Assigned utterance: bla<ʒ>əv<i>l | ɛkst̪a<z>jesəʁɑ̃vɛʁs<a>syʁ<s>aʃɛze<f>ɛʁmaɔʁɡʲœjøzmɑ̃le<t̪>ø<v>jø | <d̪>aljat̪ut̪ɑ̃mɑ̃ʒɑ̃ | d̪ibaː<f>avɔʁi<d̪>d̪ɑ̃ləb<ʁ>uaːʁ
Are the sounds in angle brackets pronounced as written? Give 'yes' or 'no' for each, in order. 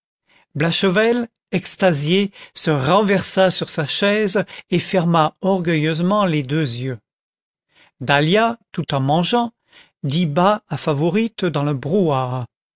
no, no, yes, yes, yes, yes, no, no, yes, yes, no, yes

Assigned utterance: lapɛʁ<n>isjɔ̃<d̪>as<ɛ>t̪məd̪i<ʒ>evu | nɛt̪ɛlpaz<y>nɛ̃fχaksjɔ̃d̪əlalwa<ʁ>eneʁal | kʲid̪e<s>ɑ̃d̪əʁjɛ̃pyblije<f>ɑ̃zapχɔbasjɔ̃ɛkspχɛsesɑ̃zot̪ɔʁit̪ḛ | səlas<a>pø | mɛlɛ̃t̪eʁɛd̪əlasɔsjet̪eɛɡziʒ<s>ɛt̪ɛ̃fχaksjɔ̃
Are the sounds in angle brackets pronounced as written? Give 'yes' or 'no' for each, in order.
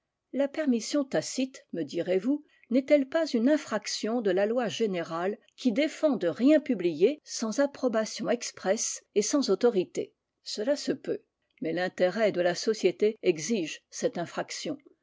no, no, no, no, yes, no, no, no, no, yes

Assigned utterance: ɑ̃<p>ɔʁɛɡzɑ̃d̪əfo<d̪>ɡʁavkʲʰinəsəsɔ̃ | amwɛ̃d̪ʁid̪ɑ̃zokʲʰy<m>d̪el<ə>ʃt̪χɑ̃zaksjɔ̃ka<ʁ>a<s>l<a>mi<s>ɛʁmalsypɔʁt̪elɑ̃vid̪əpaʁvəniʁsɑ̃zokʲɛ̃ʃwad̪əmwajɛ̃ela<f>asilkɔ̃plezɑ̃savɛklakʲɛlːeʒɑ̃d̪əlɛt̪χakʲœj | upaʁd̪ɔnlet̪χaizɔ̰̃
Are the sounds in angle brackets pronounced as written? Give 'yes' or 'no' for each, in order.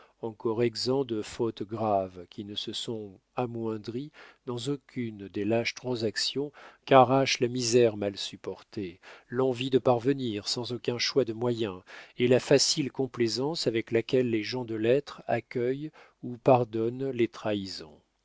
no, no, no, no, yes, no, yes, no, yes

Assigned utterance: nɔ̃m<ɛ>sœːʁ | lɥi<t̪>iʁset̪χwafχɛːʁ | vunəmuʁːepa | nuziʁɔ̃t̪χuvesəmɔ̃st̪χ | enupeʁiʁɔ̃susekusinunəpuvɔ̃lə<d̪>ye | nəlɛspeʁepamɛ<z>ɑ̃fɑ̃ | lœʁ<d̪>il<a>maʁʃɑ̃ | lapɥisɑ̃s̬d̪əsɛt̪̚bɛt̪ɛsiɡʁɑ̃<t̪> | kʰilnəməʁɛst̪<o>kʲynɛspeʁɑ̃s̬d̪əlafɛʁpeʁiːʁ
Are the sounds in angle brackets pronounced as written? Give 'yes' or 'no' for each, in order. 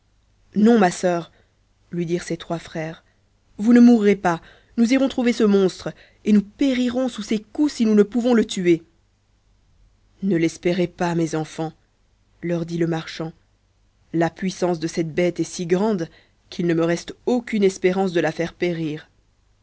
no, no, no, yes, yes, no, no, yes

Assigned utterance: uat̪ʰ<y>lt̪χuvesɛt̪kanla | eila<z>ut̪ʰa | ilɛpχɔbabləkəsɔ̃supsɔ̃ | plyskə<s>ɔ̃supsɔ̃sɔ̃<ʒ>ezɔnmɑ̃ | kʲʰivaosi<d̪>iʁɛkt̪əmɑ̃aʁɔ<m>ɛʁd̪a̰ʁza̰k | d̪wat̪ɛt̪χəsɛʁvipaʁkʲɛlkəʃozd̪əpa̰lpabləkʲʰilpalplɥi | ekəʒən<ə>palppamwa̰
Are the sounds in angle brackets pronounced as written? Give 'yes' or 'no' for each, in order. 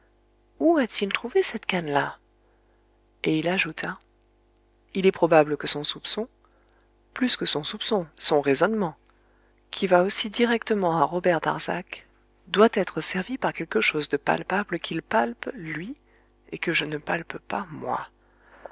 no, no, yes, no, yes, no, yes

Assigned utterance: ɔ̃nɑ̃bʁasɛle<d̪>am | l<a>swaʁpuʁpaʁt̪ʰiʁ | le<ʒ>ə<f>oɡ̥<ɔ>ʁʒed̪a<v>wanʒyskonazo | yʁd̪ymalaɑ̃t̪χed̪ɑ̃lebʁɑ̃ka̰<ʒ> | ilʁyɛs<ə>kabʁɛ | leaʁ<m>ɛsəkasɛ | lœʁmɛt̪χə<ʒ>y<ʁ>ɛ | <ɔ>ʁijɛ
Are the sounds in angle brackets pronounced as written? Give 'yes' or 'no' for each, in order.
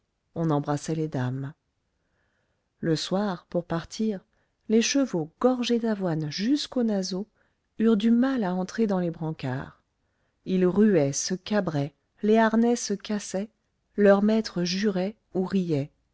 yes, no, no, no, yes, yes, no, yes, no, yes, yes, no

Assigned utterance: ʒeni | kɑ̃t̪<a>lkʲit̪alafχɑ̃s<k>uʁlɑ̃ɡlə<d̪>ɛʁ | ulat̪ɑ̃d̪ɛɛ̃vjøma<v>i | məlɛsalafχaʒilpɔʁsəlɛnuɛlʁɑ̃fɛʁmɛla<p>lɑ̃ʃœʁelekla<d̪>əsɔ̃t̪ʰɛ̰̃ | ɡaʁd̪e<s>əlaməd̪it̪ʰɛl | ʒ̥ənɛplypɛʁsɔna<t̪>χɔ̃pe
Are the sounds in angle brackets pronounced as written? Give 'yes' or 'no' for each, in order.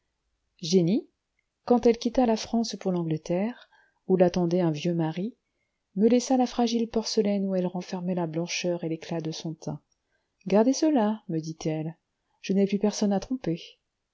no, no, no, no, no, yes, yes, yes

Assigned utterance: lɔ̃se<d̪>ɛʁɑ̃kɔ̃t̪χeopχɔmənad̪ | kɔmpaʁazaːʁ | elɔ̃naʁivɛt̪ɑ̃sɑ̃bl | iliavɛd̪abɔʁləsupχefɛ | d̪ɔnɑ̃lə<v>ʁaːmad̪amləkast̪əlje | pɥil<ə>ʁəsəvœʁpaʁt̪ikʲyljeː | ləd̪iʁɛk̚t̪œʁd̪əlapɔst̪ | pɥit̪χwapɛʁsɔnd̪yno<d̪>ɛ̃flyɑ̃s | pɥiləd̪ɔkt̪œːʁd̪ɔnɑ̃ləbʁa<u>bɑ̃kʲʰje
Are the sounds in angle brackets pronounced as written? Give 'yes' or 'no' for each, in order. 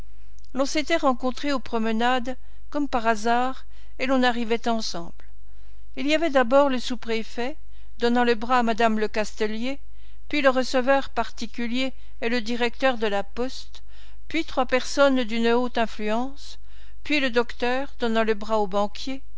no, no, yes, no, no

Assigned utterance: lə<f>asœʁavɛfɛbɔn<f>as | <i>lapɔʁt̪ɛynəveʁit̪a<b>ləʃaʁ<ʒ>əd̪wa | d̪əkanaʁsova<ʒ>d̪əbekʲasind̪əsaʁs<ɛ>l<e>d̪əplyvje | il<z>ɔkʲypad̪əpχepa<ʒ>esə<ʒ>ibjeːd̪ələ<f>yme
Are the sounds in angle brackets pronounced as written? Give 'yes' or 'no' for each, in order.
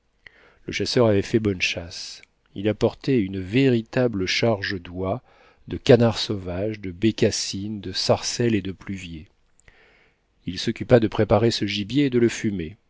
no, no, yes, yes, yes, yes, yes, yes, no, no, yes, yes

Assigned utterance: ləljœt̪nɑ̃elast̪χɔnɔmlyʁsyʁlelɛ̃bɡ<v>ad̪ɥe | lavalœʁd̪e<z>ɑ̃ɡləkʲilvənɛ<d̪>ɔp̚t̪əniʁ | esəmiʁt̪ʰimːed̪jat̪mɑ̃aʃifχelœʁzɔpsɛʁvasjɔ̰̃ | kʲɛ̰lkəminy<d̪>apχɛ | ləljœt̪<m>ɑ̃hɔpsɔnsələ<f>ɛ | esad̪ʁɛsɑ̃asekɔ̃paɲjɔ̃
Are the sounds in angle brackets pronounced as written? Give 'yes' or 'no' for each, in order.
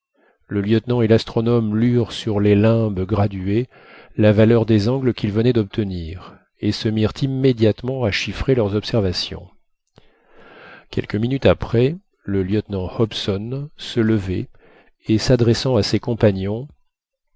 no, yes, yes, no, no, no

